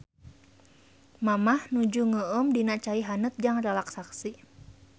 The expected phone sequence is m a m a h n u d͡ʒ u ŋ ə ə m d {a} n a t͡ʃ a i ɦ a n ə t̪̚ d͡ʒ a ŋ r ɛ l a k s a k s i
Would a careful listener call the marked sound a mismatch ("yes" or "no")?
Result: yes